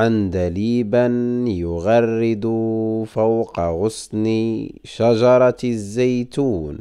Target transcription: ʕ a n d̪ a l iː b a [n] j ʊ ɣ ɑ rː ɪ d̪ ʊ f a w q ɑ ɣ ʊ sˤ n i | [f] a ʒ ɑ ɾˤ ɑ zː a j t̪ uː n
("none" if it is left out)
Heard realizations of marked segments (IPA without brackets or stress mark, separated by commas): n, ʃ